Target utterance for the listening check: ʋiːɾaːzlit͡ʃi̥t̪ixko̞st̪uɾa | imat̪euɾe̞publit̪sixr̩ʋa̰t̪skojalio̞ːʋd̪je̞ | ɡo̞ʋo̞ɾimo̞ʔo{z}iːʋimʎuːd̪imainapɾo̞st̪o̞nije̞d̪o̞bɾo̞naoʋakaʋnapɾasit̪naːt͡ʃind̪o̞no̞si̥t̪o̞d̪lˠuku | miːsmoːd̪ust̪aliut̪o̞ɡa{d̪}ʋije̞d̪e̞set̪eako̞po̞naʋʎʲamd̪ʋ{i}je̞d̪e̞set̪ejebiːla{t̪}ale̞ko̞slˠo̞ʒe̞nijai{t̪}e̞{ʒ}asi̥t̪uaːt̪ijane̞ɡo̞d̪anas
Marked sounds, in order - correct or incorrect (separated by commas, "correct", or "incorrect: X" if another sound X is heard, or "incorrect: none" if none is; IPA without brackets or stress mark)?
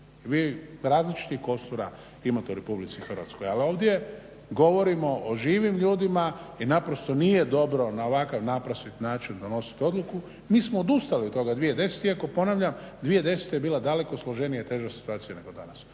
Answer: incorrect: ʒ, correct, correct, incorrect: d̪, correct, correct